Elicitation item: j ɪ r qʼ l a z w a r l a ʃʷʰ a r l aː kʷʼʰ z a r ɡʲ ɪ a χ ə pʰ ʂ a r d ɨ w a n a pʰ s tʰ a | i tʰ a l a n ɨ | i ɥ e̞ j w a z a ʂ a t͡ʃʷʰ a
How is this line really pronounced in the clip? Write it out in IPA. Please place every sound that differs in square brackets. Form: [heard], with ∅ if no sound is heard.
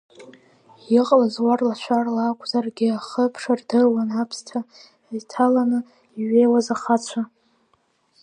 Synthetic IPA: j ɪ [∅] qʼ l a z w a r l a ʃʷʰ a r l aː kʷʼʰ z a r ɡʲ ɪ a χ ə pʰ ʂ a r d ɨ w a n a pʰ s tʰ a | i tʰ a l a n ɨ | i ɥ e̞ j w a z a [χ] a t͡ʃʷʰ a